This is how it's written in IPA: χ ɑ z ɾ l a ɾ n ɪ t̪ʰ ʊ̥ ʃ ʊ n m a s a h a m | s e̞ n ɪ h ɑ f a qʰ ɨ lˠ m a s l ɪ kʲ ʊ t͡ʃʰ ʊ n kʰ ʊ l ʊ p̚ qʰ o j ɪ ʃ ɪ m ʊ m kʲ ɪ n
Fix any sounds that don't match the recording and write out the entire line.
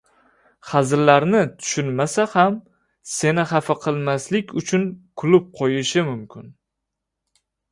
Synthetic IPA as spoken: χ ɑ z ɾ l a ɾ n ɪ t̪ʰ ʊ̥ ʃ ʊ n m a s a h a m | s e̞ n ɪ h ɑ f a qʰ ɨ lˠ m a s l ɪ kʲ ʊ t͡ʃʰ ʊ n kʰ ʊ l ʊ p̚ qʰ o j ɪ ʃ ɪ m ʊ m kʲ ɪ n

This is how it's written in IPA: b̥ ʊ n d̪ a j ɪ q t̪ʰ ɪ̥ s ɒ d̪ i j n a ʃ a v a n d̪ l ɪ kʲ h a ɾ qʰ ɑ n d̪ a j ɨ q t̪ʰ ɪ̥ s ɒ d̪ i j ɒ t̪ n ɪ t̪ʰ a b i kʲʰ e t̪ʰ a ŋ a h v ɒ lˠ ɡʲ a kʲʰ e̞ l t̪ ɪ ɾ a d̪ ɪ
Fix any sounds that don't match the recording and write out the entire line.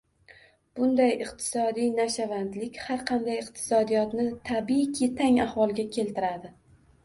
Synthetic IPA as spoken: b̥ ʊ n d̪ a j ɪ q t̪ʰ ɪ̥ s ɒ d̪ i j n a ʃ a v a n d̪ l ɪ kʲ h a ɾ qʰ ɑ n d̪ a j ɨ q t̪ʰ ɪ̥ s ɒ d̪ i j ɒ t̪ n ɪ t̪ʰ a b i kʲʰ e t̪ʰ a ŋ a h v ɒ lˠ ɡʲ a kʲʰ e̞ l t̪ ɪ ɾ a d̪ ɪ

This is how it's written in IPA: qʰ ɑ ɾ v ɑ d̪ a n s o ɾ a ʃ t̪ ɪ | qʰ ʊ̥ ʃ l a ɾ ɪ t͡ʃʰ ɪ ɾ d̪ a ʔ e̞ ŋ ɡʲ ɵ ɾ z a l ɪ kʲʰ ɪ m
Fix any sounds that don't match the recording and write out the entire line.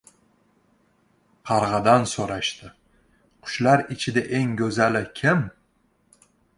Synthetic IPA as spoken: qʰ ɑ ɾ ʁ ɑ d̪ a n s o ɾ a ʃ t̪ ɪ | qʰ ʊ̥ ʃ l a ɾ ɪ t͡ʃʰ ɪ d̪ a ʔ e̞ ŋ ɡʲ ɵ z a l ɪ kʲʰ ɪ m

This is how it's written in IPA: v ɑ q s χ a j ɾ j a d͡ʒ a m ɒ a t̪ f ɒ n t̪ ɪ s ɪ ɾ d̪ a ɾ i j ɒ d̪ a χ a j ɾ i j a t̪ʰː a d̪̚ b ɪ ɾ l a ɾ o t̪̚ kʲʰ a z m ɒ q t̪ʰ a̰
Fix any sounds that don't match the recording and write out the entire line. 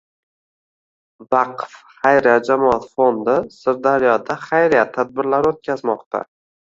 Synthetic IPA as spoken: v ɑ q f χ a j ɾ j a d͡ʒ a m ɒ a t̪ f o n d̪ ɪ s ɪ ɾ d̪ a ɾ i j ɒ d̪ a χ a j ɾ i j a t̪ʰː a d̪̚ b ɪ ɾ l a ɾ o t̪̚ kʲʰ a z m ɒ q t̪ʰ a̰

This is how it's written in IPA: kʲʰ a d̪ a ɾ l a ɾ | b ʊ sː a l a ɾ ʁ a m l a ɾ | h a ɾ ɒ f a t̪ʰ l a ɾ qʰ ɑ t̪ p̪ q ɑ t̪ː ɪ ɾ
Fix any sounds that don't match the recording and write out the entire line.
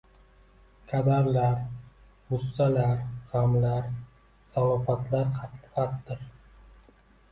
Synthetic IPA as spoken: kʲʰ a d̪ a ɾ l a ɾ | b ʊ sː a l a ɾ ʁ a m l a ɾ | s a l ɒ f a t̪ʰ l a ɾ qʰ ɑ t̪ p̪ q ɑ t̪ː ɪ ɾ

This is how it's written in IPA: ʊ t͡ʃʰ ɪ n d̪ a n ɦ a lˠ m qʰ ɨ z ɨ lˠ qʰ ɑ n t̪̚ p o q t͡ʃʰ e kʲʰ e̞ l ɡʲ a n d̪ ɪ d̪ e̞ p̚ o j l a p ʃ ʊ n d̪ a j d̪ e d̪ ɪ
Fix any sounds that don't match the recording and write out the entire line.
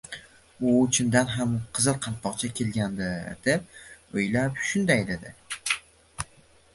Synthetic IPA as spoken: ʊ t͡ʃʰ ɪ n d̪ a n ɦ a m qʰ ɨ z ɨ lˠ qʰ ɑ n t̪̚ p ɒ q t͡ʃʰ a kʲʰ e̞ l ɡʲ a n d̪ ɪ d̪ e̞ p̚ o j l a p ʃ ʊ n d̪ a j d̪ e d̪ ɪ

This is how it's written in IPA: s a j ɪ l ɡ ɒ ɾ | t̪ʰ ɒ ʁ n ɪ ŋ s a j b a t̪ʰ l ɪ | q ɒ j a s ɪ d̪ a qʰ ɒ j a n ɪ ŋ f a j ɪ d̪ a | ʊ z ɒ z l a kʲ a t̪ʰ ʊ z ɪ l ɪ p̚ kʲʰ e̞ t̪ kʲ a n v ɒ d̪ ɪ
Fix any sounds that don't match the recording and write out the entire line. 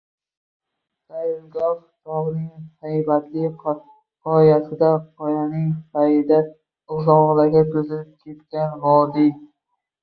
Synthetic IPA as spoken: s a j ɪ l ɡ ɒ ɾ | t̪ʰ ɒ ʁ n ɪ ŋ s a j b a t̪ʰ l ɪ | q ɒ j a s ɪ d̪ a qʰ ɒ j a n ɪ ŋ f a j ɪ d̪ a | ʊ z ɒ ʁ l a ɡʲ a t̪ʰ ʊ z ɪ l ɪ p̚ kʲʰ e̞ t̪ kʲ a n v ɒ d̪ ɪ

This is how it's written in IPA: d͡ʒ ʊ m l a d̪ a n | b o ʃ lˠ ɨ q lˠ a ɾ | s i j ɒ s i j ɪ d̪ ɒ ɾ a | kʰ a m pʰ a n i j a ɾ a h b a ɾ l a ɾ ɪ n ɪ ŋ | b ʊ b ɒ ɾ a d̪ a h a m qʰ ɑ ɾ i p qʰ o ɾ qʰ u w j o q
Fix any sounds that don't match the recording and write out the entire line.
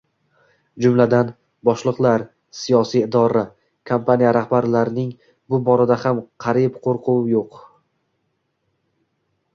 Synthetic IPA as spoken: d͡ʒ ʊ m l a d̪ a n | b ɒ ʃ lˠ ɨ q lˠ a ɾ | s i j ɒ s i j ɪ d̪ ɒ ɾ a | kʰ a m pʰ a n i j a ɾ a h b a ɾ l a ɾ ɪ n ɪ ŋ | b ʊ b ɒ ɾ a d̪ a h a m qʰ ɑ ɾ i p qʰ o ɾ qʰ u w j o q

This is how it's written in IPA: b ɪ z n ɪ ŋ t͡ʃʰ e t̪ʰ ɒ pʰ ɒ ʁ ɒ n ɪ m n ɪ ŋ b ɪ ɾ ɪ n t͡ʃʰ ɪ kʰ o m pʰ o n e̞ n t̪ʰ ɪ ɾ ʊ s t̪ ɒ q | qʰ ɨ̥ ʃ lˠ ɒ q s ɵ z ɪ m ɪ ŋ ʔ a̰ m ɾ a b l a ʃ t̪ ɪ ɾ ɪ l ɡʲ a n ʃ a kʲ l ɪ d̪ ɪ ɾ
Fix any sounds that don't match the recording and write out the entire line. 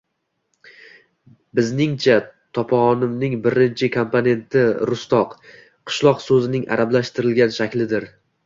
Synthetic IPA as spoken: b ɪ z n ɪ ŋ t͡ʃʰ a t̪ʰ ɒ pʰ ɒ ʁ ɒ n ɪ m n ɪ ŋ b ɪ ɾ ɪ n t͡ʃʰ ɪ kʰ o m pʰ o n e̞ n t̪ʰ ɪ ɾ ʊ s t̪ ɒ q | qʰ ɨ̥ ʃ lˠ ɒ q s ɵ z ɪ n ɪ ŋ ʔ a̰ ɾ a b l a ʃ t̪ ɪ ɾ ɪ l ɡʲ a n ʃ a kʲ l ɪ d̪ ɪ ɾ

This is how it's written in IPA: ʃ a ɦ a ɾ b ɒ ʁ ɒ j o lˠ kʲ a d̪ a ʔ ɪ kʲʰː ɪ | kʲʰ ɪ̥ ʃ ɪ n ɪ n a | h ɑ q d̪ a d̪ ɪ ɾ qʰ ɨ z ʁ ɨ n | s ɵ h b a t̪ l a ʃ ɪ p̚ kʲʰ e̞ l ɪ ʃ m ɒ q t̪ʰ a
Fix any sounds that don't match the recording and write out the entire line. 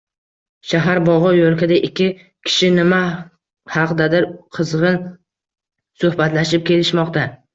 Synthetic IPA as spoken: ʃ a ɦ a ɾ b ɒ ʁ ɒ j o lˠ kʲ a d̪ a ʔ ɪ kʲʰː ɪ | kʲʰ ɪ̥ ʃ ɪ n ɪ m a | h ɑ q d̪ a d̪ ɪ ɾ qʰ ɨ z ʁ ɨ n | s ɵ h b a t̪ l a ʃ ɪ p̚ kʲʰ e̞ l ɪ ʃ m ɒ q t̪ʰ a

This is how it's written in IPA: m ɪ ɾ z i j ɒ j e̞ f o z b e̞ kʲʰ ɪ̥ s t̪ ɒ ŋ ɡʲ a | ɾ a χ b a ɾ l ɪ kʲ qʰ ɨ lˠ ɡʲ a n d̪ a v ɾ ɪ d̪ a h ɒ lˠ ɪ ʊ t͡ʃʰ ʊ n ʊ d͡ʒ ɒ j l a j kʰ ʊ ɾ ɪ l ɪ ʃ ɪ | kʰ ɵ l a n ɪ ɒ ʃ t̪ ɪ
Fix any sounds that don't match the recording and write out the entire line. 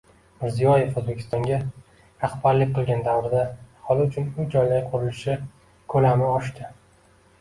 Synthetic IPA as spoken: m ɪ ɾ z i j ɒ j e̞ f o z b e̞ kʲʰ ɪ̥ s t̪ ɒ ŋ ɡʲ a | ɾ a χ b a ɾ l ɪ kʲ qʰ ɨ lˠ ɡʲ a n d̪ a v ɾ ɪ d̪ a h ɒ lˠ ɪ ʊ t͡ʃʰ ʊ n ʊ d͡ʒ ɒ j l a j qʰ ʊ ɾ ɪ l ɪ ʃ ɪ | kʰ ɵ l a m ɪ ɒ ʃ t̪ ɪ

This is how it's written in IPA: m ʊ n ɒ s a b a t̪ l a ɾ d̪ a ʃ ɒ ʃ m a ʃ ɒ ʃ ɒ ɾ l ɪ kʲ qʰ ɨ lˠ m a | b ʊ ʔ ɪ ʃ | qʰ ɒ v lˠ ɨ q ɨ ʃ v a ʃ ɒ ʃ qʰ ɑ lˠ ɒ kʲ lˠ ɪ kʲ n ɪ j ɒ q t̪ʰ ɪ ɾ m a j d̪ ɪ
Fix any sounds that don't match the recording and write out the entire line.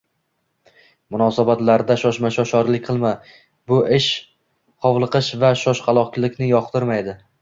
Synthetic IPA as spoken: m ʊ n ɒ s a b a t̪ l a ɾ d̪ a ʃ ɒ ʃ m a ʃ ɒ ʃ ɒ ɾ l ɪ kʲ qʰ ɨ lˠ m a | b ʊ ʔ ɪ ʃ | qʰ ɒ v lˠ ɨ q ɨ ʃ v a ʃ ɒ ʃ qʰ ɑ lˠ ɒ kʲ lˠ ɪ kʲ n ɪ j ɒ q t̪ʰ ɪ ɾ m a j d̪ ɪ

